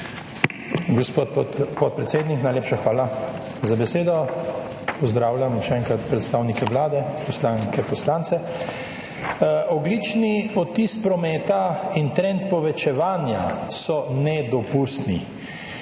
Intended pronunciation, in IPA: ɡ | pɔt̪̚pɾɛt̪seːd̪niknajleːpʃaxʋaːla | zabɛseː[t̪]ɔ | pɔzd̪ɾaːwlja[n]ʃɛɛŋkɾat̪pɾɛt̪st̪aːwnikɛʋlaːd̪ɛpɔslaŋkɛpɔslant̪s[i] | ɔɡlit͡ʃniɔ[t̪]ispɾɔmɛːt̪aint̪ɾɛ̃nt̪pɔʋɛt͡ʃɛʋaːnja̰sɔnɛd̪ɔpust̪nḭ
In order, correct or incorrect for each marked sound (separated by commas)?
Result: incorrect, incorrect, incorrect, correct